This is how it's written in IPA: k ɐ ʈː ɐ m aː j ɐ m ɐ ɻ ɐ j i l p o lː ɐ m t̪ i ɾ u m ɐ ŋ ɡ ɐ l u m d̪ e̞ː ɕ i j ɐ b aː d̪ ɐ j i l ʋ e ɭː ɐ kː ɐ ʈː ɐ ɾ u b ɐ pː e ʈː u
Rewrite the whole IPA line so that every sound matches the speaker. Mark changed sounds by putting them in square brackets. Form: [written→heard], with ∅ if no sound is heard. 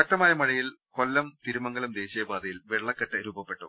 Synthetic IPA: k ɐ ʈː ɐ m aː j ɐ m ɐ ɻ ɐ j i l [p→k] o lː ɐ m t̪ i ɾ u m ɐ ŋ ɡ ɐ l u m d̪ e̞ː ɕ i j ɐ b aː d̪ ɐ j i l ʋ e ɭː ɐ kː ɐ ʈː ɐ ɾ [u→uː] b ɐ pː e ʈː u